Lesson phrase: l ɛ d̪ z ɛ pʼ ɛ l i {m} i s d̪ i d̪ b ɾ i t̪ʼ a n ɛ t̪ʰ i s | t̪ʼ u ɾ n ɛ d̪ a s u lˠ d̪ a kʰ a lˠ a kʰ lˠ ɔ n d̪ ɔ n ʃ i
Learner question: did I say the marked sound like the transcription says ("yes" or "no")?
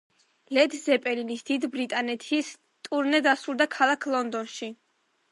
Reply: no